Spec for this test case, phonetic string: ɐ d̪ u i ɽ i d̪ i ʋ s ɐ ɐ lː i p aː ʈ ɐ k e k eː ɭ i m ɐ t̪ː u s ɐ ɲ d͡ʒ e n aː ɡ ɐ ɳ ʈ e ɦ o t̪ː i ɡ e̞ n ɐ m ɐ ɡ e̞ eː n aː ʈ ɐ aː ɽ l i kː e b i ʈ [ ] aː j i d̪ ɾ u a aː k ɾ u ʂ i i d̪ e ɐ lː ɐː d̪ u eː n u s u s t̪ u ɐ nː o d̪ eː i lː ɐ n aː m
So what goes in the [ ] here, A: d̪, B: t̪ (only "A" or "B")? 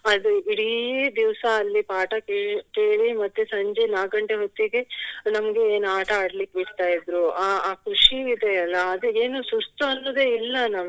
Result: B